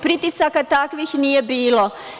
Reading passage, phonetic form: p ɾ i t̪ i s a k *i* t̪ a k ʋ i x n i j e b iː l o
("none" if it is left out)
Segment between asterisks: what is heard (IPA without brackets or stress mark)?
a